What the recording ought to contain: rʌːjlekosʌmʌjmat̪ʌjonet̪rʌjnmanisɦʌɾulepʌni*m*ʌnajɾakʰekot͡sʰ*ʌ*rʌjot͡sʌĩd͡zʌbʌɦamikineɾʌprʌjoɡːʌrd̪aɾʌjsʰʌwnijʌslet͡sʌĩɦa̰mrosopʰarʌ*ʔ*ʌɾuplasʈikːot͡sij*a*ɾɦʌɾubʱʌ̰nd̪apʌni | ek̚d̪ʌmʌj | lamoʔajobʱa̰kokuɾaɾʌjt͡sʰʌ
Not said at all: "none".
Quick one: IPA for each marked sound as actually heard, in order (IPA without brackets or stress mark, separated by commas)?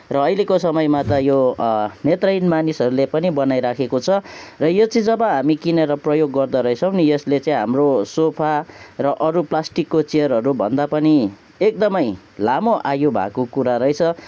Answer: b, ʌ, ʔ, ʌ